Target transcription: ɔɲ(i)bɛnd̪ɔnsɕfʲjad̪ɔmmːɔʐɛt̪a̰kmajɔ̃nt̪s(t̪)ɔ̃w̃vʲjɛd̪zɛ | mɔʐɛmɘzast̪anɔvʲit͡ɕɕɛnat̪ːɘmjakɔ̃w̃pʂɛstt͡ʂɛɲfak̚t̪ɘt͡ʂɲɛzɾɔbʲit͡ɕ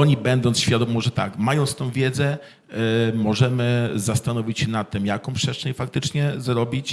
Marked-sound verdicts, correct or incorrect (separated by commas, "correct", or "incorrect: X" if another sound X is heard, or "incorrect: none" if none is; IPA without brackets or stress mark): correct, correct